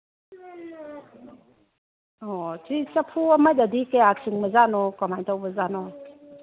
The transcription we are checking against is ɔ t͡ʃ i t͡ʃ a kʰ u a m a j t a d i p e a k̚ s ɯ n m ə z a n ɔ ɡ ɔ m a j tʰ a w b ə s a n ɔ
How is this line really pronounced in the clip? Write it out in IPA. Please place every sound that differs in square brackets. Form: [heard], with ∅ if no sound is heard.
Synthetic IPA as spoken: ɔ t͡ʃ i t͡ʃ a [pʰ] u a m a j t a d i [k] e a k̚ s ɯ [ŋ] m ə z a n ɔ [k] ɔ m a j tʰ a w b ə [z] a n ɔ